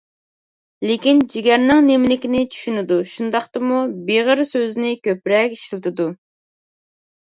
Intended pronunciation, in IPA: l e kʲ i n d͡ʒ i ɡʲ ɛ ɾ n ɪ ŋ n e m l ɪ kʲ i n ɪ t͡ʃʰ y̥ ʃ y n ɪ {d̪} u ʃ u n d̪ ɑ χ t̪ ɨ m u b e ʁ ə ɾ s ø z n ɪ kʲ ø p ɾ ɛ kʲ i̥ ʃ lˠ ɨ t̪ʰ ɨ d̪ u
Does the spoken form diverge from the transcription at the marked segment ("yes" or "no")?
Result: no